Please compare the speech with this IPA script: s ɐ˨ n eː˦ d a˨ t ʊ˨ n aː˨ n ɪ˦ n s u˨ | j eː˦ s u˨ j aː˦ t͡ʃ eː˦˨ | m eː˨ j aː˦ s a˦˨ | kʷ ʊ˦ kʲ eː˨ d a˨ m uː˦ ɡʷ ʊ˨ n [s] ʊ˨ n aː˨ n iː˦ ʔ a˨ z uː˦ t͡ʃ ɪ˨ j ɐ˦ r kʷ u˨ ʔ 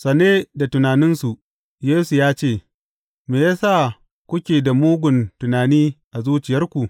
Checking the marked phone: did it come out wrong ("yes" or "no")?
yes